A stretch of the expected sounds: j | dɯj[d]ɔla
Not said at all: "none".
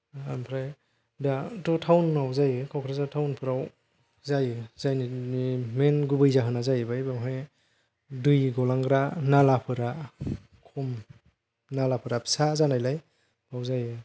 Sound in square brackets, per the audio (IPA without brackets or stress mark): ɡ